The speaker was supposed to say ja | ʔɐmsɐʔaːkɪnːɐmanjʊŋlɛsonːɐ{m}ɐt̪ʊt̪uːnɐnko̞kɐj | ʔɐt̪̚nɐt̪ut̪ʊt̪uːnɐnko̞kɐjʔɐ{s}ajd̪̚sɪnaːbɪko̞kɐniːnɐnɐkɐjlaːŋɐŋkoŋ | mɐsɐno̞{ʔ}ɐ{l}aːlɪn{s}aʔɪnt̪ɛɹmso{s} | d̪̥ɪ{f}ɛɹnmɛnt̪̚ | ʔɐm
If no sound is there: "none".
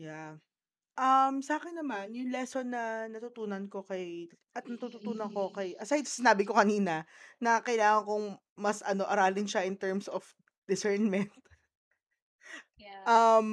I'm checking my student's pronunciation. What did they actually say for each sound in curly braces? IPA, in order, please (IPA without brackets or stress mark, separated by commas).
n, s, ʔ, ɾ, ʃ, f, s